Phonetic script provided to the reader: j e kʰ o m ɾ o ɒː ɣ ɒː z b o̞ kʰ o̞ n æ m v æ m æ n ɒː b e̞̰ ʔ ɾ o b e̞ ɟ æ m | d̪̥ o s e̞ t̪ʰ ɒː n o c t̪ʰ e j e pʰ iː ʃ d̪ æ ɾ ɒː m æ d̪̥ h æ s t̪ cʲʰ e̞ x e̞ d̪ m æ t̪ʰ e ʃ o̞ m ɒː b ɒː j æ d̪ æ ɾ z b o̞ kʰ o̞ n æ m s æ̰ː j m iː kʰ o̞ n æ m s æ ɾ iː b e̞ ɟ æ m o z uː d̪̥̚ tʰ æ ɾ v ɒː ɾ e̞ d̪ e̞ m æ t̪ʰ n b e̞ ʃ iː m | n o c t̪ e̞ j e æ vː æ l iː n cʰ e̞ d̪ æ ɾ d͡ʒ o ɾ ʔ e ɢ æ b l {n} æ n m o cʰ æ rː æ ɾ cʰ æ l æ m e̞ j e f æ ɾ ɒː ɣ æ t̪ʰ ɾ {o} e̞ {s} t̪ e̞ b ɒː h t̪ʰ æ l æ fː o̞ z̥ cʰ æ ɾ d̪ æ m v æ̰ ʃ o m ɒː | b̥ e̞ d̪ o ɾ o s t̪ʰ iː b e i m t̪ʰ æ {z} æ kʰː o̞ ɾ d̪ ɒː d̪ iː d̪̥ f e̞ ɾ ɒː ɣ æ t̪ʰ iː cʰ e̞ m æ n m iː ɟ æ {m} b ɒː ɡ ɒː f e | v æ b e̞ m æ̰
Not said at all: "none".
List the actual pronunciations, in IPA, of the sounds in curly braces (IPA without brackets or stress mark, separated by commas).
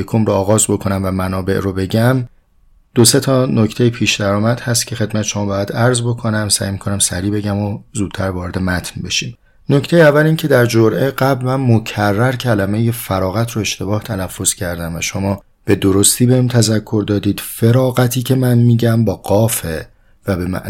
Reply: m, o, ʃ, z, m